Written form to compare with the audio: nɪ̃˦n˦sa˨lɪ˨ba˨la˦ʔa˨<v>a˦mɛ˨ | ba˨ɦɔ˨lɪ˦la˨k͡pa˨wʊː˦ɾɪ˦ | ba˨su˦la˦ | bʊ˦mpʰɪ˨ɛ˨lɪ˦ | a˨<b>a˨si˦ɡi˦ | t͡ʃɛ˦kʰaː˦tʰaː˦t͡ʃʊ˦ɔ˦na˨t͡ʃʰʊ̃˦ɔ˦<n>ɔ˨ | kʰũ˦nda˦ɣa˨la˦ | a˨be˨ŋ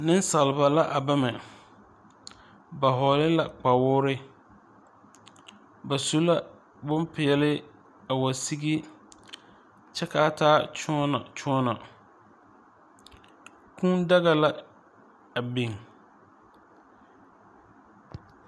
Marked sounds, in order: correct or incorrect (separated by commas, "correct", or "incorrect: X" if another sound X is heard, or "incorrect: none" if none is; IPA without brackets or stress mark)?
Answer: incorrect: b, incorrect: w, correct